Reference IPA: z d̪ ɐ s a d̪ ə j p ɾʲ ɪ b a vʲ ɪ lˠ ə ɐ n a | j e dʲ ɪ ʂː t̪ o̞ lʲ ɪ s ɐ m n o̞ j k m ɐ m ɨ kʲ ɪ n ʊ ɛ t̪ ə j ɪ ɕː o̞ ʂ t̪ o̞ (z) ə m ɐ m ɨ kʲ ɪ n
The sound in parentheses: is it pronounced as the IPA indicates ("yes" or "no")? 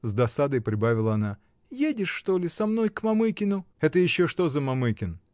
yes